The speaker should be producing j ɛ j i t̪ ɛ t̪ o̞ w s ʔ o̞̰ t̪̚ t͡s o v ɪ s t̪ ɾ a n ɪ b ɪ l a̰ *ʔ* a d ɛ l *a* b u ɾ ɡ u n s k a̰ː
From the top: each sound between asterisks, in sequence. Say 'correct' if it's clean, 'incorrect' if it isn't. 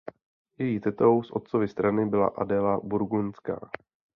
correct, correct

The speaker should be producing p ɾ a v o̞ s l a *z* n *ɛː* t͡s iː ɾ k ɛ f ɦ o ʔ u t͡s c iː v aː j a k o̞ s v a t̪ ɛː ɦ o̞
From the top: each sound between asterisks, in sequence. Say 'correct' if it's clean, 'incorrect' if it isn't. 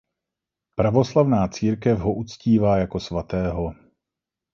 incorrect, incorrect

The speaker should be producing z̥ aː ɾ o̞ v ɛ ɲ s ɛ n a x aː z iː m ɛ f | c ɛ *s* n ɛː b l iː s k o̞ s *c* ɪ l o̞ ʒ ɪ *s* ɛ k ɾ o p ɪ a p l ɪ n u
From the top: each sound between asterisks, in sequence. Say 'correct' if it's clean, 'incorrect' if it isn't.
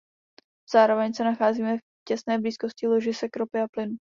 correct, correct, correct

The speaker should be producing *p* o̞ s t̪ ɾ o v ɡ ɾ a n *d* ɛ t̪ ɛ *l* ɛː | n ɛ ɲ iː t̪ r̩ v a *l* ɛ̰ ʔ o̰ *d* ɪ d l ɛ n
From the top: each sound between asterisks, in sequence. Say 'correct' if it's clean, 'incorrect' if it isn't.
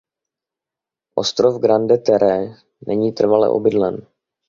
incorrect, correct, incorrect, correct, incorrect

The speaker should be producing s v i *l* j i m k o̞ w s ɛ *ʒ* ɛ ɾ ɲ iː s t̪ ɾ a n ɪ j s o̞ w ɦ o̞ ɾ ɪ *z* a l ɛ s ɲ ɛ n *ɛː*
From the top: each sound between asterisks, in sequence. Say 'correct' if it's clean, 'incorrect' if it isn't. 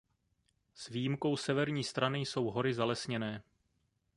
incorrect, incorrect, correct, correct

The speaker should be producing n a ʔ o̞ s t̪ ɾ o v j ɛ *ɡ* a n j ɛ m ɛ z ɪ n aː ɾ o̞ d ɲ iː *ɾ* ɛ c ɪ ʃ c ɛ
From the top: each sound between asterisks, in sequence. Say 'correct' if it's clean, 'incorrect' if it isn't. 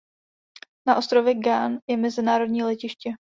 correct, incorrect

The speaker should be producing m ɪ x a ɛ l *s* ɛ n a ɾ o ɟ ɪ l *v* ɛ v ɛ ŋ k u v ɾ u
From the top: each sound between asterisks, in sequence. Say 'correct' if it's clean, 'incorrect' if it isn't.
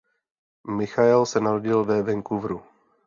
correct, correct

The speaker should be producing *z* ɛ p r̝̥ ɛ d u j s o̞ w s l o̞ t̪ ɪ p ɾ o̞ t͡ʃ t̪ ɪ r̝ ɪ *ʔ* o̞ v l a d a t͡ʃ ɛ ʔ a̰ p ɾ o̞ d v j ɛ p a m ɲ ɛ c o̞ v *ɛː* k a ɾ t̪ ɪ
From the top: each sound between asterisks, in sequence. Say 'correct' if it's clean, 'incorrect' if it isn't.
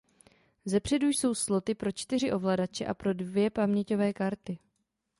correct, correct, correct

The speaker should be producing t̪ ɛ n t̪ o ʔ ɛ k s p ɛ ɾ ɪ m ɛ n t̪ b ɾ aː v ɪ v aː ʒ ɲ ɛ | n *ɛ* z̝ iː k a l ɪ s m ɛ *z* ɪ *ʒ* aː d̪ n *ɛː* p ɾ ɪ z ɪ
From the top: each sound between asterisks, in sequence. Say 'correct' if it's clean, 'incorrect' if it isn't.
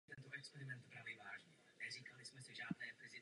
correct, incorrect, correct, correct

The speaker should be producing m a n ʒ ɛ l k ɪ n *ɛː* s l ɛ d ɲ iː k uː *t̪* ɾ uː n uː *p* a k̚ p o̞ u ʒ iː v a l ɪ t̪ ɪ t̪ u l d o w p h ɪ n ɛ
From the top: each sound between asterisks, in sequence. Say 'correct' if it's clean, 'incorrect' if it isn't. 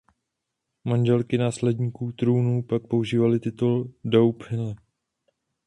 incorrect, correct, correct

